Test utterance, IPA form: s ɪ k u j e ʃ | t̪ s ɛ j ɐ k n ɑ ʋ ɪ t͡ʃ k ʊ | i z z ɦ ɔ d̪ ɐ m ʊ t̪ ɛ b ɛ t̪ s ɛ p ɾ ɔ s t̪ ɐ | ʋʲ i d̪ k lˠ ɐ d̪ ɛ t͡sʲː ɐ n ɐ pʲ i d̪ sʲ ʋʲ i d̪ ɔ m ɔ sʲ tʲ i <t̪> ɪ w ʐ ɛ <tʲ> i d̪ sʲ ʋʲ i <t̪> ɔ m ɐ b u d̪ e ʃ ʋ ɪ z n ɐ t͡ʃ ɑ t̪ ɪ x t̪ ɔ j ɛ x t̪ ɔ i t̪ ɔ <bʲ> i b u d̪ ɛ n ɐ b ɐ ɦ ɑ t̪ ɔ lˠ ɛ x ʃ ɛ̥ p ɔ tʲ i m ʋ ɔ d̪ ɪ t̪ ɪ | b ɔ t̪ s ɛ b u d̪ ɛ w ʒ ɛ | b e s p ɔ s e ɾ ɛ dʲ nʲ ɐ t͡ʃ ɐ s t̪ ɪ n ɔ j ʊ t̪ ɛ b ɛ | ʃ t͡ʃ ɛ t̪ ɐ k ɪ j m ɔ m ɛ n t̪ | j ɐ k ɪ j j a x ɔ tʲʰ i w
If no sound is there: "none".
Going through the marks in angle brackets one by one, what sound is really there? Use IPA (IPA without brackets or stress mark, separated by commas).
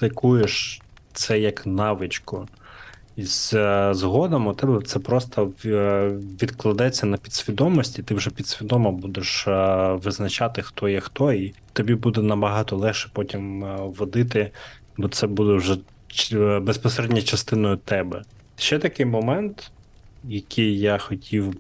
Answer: t̪, pʲ, d̪, bʲ